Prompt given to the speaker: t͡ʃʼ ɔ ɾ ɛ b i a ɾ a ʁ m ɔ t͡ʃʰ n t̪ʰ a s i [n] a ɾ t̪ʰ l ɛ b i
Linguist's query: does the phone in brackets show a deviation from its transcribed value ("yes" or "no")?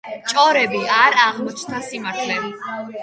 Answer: yes